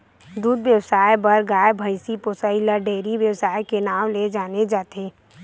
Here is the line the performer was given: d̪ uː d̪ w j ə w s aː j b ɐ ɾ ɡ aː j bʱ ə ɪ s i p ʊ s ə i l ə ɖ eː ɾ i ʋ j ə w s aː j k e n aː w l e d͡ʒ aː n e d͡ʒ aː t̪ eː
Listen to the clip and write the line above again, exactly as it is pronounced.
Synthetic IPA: d̪ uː d̪ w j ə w s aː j b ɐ ɾ ɡ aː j bʱ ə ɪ s i p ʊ s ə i l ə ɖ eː ɾ i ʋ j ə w s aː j k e n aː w l e d͡ʒ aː n e d͡ʒ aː t̪ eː